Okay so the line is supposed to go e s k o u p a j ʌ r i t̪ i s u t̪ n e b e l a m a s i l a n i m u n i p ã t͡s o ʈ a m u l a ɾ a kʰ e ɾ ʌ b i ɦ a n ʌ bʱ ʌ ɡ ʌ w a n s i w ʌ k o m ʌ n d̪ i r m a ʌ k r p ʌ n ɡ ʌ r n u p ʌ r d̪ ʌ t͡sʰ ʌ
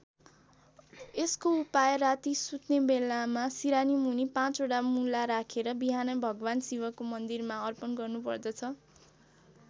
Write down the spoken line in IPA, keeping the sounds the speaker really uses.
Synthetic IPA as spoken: e s k o u p a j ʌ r a t̪ i s u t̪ n e b e l a m a s i ɾ a n i m u n i p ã t͡s o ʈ a m u l a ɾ a kʰ e ɾ ʌ b i ɦ a n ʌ bʱ ʌ ɡ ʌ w a n s i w ʌ k o m ʌ n d̪ i r m a ʌ r p ʌ n ɡ ʌ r n u p ʌ r d̪ ʌ t͡sʰ ʌ